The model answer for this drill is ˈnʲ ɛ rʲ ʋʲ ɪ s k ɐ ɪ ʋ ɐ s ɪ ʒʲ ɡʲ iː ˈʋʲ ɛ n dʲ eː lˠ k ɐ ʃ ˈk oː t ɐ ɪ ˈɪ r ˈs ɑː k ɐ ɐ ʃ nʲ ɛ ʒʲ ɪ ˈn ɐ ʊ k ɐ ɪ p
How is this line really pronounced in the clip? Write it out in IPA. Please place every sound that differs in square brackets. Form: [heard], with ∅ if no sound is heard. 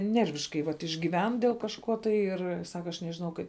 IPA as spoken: ˈnʲ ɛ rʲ ʋʲ ɪ [ʃ] k ɐ ɪ ʋ ɐ [t] ɪ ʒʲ ɡʲ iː ˈʋʲ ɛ n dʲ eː lˠ k ɐ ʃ ˈk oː t ɐ ɪ ˈɪ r ˈs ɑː k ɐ ɐ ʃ nʲ ɛ ʒʲ ɪ ˈn ɐ ʊ k ɐ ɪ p